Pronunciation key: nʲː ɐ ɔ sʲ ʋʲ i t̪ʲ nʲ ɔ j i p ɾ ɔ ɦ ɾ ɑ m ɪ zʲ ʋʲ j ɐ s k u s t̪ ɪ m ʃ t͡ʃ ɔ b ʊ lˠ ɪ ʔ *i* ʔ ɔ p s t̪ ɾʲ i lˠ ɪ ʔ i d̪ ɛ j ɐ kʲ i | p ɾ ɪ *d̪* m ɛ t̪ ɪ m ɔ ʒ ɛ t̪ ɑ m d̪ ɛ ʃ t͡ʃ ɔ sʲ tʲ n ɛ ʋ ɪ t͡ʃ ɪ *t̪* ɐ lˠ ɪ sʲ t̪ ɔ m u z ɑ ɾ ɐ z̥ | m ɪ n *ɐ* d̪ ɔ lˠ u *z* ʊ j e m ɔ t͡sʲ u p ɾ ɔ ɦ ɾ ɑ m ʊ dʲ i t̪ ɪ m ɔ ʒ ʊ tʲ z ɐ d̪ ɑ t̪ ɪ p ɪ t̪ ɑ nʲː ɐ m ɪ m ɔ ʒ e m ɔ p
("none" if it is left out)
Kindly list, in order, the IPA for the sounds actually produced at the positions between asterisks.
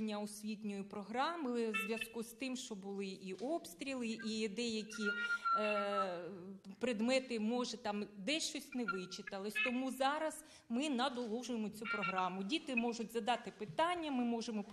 i, d̪, t̪, ɐ, ʒ

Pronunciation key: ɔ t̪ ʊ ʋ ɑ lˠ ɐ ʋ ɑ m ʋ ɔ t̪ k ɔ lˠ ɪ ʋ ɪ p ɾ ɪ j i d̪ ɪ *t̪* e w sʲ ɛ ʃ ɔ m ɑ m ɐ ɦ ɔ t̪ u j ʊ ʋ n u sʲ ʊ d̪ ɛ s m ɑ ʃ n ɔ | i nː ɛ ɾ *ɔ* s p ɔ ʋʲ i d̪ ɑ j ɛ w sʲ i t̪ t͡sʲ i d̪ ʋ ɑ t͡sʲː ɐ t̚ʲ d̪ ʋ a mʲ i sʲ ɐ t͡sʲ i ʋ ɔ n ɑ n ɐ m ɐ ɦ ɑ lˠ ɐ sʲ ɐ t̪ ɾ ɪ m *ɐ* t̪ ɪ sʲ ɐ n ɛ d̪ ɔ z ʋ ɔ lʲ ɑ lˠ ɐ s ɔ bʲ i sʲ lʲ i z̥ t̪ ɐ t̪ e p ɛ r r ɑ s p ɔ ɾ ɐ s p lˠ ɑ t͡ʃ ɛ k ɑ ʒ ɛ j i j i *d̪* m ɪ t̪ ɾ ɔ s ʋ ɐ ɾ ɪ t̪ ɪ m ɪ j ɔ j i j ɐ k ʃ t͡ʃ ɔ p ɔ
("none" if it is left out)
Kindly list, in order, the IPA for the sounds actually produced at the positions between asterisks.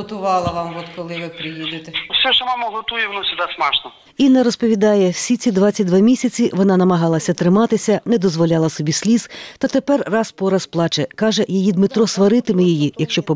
t̪, ɔ, ɑ, d̪

